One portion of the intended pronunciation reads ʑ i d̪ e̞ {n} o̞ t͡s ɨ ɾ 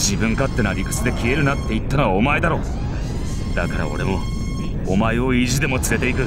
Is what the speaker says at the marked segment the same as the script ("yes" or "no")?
no